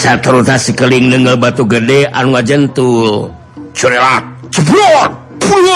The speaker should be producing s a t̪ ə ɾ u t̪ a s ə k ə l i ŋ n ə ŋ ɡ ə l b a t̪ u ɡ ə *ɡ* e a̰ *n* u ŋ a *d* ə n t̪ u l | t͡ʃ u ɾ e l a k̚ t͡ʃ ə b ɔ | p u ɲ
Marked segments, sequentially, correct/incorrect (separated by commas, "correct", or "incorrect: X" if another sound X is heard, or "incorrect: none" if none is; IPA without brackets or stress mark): incorrect: d, correct, incorrect: d͡ʒ